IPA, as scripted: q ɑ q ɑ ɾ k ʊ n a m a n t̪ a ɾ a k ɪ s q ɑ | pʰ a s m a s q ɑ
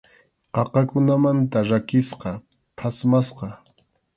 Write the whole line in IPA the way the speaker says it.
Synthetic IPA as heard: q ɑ q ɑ k ʊ n a m a n t̪ a ɾ a k ɪ s q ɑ | pʰ a s m a s q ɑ